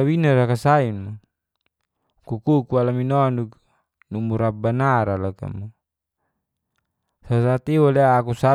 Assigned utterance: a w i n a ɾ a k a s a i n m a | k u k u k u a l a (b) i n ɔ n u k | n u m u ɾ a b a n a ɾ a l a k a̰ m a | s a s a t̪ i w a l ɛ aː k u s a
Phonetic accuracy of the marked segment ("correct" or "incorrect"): incorrect